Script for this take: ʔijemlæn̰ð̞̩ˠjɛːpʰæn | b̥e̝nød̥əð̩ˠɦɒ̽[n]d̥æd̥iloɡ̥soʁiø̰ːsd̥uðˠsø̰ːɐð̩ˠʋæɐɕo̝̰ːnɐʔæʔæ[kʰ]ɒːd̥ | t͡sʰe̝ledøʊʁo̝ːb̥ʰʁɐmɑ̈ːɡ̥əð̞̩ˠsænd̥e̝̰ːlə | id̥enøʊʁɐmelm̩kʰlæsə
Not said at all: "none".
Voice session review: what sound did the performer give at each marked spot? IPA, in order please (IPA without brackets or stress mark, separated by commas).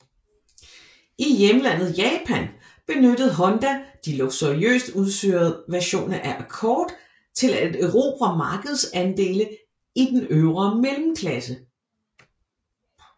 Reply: n, kʰ